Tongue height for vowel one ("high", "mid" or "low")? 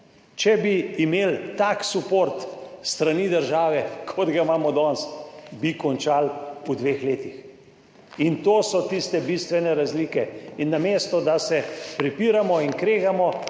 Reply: mid